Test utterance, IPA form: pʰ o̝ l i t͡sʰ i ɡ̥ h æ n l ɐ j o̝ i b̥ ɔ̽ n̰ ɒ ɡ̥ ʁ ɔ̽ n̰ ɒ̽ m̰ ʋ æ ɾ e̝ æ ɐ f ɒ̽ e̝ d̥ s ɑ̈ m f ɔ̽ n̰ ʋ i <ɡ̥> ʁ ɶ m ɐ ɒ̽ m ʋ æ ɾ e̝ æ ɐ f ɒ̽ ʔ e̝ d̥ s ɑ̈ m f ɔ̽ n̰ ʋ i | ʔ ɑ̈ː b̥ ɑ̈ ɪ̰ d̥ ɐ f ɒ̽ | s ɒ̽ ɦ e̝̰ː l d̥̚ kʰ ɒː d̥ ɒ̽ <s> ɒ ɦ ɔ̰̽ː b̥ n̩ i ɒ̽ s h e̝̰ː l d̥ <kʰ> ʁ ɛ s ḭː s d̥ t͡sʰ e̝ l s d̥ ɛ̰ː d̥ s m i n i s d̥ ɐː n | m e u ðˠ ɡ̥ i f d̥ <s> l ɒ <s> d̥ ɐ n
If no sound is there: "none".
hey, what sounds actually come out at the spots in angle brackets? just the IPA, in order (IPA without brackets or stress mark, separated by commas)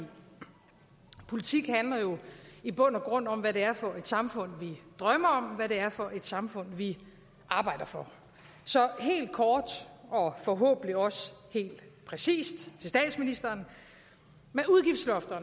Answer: d̥, f, pʰ, s, f